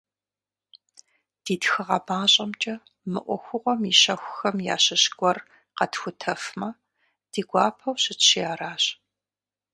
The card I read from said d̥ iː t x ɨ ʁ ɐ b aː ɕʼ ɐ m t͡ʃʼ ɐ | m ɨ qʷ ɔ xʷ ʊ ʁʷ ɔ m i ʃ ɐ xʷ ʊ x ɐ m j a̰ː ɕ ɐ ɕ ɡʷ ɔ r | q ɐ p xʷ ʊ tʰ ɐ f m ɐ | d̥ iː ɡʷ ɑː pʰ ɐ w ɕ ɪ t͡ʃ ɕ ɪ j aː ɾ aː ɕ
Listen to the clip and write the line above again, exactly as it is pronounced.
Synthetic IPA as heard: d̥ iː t x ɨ ʁ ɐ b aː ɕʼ ɐ m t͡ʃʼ ɐ | m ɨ ʔʷ ɔ xʷ ʊ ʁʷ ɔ m i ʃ ɐ xʷ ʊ x ɐ m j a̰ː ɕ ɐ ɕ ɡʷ ɔ r | q ɐ t xʷ ʊ tʰ ɐ f m ɐ | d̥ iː ɡʷ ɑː pʰ ɐ w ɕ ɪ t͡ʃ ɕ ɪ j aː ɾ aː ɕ